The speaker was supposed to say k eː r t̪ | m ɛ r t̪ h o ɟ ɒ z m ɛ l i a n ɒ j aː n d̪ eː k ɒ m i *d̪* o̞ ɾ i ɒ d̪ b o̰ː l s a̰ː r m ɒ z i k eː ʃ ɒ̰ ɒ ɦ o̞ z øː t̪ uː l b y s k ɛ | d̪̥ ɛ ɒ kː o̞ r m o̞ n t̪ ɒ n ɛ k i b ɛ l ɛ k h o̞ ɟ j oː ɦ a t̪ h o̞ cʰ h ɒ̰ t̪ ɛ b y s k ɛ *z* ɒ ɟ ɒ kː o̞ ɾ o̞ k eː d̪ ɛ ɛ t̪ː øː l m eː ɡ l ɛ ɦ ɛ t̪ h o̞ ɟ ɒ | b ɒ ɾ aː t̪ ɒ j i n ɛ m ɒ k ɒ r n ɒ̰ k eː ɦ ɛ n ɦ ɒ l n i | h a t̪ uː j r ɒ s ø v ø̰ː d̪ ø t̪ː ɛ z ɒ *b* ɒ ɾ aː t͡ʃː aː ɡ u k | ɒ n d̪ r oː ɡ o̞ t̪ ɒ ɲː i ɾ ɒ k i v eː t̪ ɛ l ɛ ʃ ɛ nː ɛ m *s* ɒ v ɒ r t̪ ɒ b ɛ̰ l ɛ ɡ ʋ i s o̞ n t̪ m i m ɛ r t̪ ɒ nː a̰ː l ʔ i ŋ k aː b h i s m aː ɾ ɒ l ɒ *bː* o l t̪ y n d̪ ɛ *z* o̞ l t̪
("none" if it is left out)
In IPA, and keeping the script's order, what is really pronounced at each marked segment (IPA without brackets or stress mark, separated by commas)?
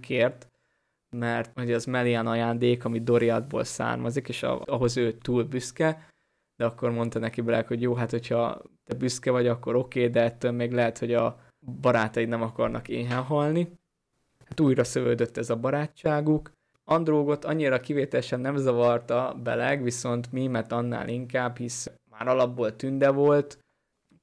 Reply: d̪, v, b, z, bː, v